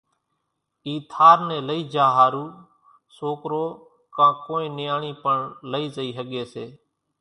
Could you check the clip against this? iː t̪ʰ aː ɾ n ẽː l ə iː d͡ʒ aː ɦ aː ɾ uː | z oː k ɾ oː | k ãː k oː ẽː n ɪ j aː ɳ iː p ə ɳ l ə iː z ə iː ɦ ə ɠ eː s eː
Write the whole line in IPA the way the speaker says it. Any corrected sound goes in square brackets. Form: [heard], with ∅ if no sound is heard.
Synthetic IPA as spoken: iː t̪ʰ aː ɾ n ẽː l ə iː d͡ʒ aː ɦ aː ɾ uː | [s] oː k ɾ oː | k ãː k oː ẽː n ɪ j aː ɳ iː p ə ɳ l ə iː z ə iː ɦ ə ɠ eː s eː